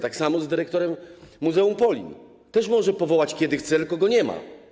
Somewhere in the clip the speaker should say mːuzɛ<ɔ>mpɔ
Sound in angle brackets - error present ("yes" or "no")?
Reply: yes